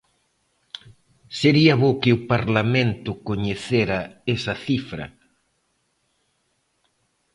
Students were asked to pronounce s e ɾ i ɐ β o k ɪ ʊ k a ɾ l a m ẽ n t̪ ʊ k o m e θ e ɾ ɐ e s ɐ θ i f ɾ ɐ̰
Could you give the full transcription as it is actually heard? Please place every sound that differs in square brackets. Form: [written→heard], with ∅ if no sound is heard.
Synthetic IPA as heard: s e ɾ i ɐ β o k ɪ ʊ [k→p] a ɾ l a m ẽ n t̪ ʊ k o [m→ɲ] e θ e ɾ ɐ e s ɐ θ i f ɾ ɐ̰